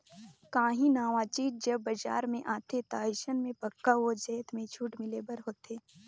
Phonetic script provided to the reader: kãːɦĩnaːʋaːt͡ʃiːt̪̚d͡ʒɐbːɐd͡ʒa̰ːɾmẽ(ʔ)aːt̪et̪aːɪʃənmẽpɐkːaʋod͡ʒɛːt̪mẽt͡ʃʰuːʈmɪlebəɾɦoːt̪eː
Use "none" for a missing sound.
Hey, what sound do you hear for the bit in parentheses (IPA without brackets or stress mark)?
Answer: ʔ